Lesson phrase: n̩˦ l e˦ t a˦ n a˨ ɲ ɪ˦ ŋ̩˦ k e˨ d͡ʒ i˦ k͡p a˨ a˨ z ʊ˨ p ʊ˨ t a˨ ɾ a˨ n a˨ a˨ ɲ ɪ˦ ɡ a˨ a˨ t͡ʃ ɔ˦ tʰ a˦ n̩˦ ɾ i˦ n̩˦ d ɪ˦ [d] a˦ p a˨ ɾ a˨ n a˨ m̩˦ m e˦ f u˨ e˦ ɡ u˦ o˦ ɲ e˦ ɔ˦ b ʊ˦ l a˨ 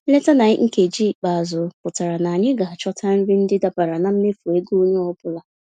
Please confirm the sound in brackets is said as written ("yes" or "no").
yes